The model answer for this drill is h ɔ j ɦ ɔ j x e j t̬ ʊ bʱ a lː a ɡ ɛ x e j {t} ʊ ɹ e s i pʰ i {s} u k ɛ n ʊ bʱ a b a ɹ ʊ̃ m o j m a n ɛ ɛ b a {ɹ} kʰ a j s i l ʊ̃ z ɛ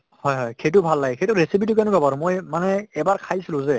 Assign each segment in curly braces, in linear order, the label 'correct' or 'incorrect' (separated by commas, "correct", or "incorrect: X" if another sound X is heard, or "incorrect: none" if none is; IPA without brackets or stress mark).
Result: correct, incorrect: t, correct